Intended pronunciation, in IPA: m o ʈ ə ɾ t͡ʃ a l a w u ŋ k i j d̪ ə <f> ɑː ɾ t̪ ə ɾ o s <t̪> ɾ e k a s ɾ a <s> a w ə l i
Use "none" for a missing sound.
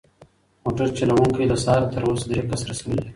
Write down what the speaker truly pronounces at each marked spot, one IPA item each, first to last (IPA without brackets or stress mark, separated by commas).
s, d̪, s